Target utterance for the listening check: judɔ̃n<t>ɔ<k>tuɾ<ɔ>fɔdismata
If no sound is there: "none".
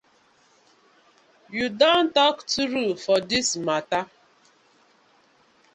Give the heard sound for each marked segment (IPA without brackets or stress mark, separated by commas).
t, k, u